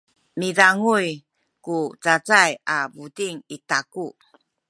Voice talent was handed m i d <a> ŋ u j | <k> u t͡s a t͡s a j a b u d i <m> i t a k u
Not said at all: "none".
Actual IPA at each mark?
a, k, ŋ

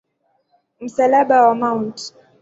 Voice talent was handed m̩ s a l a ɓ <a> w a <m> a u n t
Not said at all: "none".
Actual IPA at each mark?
a, m

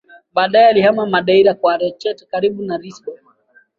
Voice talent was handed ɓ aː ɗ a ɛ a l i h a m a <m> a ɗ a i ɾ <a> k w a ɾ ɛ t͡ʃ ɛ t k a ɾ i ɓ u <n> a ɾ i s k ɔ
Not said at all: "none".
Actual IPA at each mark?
m, a, n

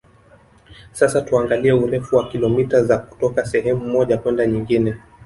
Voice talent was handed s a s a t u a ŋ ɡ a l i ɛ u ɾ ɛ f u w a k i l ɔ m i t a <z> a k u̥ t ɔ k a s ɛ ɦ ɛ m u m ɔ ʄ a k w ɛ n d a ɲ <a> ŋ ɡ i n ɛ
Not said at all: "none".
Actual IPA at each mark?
z, i

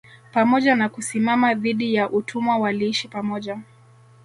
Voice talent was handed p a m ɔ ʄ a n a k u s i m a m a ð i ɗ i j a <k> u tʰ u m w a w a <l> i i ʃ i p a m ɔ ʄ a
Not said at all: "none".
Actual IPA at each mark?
ʔ, l

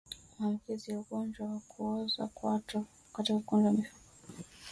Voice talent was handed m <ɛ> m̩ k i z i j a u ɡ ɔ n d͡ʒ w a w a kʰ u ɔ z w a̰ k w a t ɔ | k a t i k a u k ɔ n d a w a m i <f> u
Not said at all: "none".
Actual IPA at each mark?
a, f

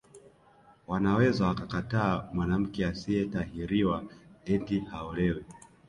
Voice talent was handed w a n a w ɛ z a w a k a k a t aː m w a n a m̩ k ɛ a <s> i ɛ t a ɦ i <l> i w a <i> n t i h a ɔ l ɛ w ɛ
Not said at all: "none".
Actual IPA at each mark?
s, ɾ, ɛ

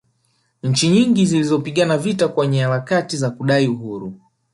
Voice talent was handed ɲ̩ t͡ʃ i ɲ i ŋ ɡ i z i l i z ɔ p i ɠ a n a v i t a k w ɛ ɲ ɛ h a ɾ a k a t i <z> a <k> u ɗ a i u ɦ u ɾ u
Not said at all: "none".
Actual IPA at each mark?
z, k

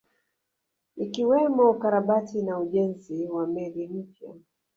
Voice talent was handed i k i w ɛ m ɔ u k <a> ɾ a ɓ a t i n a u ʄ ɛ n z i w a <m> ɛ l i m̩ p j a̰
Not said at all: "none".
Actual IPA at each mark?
a, m

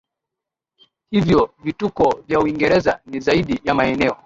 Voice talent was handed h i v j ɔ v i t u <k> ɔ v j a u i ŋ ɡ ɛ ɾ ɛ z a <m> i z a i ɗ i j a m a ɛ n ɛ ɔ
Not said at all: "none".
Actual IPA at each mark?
k, n

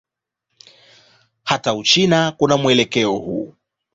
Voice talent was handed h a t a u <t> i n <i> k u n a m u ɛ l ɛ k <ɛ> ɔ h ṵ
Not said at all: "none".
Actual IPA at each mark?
t͡ʃ, a, ɛ

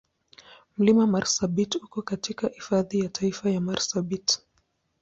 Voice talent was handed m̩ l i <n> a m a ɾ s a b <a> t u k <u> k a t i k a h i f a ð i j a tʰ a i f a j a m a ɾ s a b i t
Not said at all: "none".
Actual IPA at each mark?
m, i, ɔ

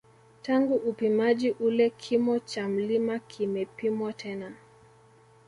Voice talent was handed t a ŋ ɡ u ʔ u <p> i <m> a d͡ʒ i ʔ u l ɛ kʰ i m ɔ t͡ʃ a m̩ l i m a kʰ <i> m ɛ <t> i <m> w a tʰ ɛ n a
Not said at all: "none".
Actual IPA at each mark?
p, m, i, p, m

